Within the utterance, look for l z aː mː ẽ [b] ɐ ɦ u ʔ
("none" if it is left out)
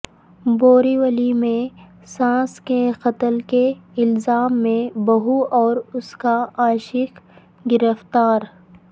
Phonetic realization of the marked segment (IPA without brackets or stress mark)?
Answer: b